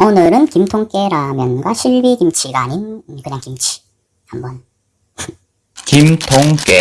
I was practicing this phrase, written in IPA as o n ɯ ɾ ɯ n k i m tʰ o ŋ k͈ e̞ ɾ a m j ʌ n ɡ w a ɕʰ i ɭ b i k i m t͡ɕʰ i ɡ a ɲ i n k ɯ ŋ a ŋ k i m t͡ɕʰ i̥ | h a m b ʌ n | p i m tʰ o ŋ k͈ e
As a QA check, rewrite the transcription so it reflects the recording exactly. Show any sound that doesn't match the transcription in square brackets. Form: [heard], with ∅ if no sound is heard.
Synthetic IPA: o n ɯ ɾ ɯ n k i m tʰ o ŋ k͈ e̞ ɾ a m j ʌ n ɡ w a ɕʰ i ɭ b i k i m t͡ɕʰ i ɡ a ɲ i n k ɯ [ɲ] a ŋ k i m t͡ɕʰ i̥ | h a m b ʌ n | [k] i m tʰ o ŋ k͈ e